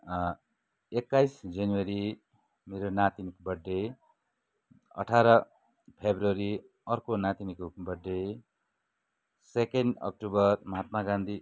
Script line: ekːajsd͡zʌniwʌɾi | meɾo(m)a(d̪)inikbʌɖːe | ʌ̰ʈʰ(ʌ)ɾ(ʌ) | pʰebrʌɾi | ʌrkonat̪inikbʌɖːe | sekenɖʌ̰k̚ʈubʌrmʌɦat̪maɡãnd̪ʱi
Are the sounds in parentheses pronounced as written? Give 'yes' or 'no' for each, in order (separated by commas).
no, no, no, yes